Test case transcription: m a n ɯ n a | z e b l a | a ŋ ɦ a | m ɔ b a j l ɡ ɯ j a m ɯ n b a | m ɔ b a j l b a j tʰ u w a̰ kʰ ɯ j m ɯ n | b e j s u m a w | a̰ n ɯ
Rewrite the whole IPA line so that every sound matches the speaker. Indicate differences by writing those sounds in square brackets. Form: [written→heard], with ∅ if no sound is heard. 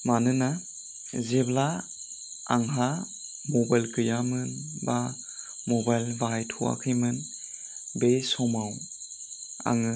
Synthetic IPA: m a n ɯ n a | z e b l a | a ŋ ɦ a | m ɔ b a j l [ɡ→k] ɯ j a m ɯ n b a | m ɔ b a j l b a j tʰ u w a̰ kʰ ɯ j m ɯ n | b e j s [u→ɔ] m a w | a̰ [n→ŋ] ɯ